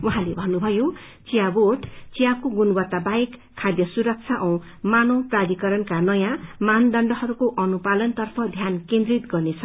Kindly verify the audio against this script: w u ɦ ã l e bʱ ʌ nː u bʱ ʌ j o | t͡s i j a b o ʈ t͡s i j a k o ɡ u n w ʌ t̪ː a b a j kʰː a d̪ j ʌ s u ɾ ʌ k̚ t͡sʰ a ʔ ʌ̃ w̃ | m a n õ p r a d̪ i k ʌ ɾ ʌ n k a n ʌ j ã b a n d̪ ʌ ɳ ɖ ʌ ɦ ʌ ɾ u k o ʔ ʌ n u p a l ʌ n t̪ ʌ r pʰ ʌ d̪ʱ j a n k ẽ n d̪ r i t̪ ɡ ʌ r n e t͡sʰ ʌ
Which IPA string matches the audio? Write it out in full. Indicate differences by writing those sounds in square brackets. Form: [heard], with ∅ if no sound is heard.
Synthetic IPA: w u ɦ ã l e bʱ ʌ nː u bʱ ʌ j o | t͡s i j a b o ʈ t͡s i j a k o ɡ u n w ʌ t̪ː a b a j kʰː a d̪ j ʌ s u ɾ ʌ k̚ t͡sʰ a ʔ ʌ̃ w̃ | m a n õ p r a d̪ i k ʌ ɾ ʌ n k a n ʌ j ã [m] a n d̪ ʌ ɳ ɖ ʌ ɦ ʌ ɾ u k o ʔ ʌ n u p a l ʌ n t̪ ʌ r pʰ ʌ d̪ʱ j a n k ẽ n d̪ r i t̪ ɡ ʌ r n e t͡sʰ ʌ